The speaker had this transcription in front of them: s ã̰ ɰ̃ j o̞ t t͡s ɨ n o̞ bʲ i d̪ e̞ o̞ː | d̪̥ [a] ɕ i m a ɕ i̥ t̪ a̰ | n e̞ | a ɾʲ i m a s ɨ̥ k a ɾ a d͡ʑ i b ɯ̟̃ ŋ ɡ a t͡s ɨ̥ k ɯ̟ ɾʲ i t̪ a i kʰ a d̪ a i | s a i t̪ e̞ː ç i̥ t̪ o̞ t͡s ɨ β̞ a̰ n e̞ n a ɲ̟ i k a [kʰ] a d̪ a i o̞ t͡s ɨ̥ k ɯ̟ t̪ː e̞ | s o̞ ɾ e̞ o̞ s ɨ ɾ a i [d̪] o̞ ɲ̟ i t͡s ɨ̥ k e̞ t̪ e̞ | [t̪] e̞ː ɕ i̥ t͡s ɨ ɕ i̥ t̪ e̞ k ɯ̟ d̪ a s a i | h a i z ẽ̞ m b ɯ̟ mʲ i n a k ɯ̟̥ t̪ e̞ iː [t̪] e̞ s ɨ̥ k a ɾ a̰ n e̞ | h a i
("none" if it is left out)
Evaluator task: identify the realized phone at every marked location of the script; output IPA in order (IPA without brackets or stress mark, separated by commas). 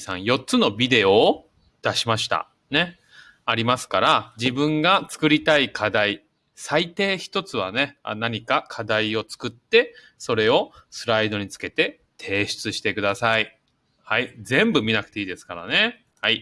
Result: a, kʰ, d̪, t̪ʰ, d̪